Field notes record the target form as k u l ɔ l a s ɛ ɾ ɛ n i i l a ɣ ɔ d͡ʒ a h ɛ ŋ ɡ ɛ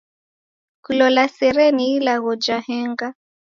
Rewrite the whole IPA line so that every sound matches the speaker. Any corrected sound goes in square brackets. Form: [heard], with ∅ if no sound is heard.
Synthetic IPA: k u l ɔ l a s ɛ ɾ ɛ n i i l a ɣ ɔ d͡ʒ a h ɛ ŋ ɡ [a]